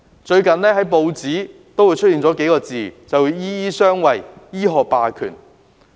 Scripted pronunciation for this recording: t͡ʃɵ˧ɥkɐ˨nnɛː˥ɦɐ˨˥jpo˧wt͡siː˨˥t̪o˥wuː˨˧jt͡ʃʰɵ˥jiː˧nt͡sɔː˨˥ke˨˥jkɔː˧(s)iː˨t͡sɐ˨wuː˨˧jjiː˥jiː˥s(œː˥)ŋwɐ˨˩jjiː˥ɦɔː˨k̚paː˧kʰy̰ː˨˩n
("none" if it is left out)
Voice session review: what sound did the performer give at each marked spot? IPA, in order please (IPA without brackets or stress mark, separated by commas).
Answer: t͡s, œː˥